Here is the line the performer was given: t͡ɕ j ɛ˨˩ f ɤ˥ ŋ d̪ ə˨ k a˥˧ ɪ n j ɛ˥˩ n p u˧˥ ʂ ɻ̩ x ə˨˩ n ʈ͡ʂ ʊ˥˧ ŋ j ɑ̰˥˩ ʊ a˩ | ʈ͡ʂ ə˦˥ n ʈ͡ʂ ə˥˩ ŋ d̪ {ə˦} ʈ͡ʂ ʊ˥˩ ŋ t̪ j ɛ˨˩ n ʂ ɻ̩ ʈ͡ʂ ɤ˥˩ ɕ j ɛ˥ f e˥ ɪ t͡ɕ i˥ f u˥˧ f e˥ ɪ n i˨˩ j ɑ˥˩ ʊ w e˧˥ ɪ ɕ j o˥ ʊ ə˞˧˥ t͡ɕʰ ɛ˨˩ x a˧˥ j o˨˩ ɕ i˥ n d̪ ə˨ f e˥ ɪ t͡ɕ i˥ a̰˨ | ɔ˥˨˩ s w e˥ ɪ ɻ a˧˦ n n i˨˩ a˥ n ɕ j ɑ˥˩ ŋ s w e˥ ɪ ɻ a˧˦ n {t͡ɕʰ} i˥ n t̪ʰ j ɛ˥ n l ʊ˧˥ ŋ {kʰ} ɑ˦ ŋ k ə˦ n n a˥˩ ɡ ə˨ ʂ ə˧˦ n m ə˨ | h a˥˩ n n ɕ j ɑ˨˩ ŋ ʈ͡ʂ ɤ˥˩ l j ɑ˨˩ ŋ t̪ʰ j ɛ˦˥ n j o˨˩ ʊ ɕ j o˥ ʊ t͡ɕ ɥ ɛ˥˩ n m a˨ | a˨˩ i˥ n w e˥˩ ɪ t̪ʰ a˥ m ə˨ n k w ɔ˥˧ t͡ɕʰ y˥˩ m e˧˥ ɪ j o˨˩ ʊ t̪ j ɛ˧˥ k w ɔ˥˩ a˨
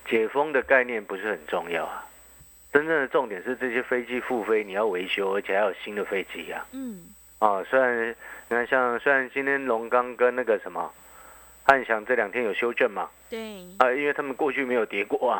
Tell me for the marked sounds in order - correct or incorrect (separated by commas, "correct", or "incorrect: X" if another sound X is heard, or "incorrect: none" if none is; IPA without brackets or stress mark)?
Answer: incorrect: ə˩, incorrect: t͡ɕ, incorrect: k